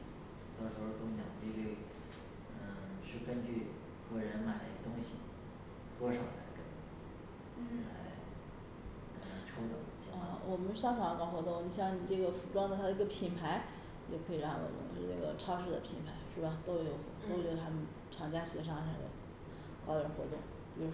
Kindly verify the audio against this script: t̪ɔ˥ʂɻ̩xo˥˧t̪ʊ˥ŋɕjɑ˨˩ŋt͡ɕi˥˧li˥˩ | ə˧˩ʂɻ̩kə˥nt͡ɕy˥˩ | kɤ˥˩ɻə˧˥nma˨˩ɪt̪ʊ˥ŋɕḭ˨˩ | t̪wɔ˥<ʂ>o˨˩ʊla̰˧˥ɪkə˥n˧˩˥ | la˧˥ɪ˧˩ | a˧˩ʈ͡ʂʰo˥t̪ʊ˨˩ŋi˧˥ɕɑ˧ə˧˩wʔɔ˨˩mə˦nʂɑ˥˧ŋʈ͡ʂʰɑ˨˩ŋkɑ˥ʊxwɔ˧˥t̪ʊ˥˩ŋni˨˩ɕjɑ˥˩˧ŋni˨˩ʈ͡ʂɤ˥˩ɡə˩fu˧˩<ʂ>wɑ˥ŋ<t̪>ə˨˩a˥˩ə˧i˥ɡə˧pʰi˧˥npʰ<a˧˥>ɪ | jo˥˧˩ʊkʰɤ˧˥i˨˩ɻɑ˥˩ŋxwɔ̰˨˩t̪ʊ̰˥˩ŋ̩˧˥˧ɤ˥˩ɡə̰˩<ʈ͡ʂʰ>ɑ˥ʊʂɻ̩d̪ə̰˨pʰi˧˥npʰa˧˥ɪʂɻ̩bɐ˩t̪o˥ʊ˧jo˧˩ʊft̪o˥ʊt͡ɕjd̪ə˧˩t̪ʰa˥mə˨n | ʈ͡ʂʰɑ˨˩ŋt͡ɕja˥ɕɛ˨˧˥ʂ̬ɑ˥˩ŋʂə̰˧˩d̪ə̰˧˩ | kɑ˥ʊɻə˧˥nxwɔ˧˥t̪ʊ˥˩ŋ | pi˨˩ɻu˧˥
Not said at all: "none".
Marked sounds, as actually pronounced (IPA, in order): ʂ, ʈ͡ʂ, d̪, a˧˥, ʈ͡ʂʰ

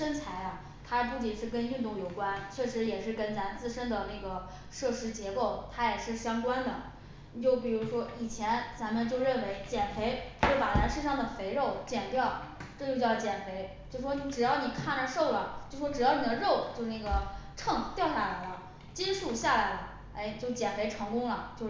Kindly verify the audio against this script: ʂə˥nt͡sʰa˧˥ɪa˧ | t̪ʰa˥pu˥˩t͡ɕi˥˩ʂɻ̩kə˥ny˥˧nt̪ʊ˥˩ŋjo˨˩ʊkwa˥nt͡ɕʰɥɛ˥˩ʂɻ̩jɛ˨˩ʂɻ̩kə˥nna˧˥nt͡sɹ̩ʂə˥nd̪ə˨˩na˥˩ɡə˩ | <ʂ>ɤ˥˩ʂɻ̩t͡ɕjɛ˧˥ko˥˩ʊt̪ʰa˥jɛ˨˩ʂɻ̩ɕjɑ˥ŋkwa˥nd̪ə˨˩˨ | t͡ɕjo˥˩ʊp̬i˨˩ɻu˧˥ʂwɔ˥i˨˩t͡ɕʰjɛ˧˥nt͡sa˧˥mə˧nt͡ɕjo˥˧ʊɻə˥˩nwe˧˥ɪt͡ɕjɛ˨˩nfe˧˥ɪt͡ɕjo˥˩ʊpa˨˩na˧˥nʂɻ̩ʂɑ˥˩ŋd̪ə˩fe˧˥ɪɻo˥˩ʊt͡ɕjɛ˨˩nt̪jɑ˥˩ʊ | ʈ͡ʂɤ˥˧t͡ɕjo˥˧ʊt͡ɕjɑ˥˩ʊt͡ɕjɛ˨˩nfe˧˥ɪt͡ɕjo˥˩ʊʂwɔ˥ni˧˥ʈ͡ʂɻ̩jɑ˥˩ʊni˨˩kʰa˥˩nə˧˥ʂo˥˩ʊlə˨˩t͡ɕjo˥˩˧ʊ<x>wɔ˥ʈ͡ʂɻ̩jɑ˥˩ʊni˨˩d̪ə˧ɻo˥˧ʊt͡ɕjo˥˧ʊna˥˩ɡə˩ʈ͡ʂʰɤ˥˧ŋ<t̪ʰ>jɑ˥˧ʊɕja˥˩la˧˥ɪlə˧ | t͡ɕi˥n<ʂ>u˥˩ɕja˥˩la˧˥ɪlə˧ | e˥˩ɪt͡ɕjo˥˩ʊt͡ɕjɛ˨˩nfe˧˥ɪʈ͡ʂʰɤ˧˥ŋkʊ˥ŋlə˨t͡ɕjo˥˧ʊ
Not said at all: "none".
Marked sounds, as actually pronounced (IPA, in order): ʂ, ʂ, t̪, ʂ

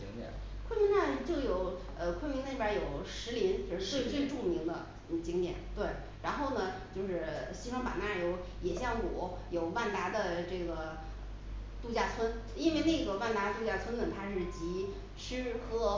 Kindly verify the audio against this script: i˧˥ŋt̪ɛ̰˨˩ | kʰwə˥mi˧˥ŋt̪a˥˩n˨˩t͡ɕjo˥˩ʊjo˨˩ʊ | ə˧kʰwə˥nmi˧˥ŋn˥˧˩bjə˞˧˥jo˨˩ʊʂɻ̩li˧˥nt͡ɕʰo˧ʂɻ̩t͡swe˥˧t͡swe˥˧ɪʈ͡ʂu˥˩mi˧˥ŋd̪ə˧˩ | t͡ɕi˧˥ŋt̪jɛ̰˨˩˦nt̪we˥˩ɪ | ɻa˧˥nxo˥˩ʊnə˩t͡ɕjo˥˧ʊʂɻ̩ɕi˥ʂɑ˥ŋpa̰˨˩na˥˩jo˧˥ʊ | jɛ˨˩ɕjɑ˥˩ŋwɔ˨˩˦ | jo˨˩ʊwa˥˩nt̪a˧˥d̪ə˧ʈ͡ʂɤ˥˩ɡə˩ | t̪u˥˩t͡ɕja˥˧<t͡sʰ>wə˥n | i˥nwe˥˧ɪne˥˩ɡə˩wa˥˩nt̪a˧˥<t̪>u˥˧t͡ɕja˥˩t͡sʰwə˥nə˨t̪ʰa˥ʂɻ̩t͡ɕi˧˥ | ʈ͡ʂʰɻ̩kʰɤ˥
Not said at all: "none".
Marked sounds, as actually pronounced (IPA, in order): t͡sʰ, t̪

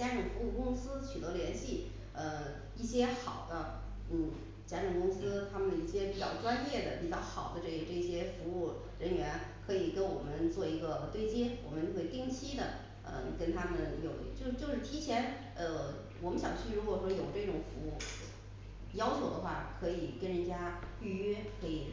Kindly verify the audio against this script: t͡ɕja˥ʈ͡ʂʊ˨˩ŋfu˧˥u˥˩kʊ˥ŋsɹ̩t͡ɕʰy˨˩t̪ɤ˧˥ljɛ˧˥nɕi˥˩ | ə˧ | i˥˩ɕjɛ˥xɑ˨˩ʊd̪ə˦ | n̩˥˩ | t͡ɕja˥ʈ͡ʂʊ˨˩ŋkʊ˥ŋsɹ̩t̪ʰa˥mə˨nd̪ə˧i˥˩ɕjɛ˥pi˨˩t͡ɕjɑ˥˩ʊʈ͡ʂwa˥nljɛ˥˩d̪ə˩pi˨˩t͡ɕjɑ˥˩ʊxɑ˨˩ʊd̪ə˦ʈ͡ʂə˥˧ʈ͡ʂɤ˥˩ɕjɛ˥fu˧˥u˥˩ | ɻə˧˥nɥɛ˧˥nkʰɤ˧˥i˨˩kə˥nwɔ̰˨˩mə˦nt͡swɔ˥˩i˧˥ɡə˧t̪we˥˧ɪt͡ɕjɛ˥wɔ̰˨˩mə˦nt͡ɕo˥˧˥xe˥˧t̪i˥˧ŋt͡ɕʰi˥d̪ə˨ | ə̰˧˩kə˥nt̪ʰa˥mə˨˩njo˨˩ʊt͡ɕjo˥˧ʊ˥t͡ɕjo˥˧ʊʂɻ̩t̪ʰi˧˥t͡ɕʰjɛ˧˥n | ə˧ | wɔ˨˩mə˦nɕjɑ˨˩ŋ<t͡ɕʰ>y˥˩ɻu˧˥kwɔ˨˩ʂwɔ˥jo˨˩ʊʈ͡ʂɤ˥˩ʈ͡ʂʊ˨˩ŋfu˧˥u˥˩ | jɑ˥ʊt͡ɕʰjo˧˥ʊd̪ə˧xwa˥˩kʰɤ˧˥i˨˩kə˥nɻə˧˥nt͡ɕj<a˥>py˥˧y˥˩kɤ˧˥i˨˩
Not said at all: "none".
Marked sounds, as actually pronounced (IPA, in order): t͡ɕʰ, a˥

